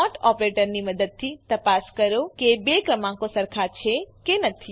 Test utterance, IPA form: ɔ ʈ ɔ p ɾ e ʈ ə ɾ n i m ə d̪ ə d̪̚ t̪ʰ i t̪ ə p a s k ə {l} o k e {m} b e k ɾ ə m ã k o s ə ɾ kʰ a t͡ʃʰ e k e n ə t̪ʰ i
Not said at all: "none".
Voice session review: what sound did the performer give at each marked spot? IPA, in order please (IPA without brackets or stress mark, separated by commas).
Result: ɾ, none